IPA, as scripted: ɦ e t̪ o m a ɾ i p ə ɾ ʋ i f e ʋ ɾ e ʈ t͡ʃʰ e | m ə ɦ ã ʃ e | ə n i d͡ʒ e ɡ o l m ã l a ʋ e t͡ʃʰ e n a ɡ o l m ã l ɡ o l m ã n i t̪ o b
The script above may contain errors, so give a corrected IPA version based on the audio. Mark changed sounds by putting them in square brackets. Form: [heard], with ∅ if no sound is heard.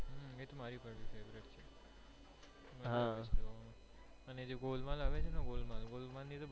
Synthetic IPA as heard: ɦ e t̪ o m a ɾ i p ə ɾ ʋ i f e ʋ ɾ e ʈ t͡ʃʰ e | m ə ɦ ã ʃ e | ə n [e] d͡ʒ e ɡ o l m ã l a ʋ e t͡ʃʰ e n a ɡ o l m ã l ɡ o l m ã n i t̪ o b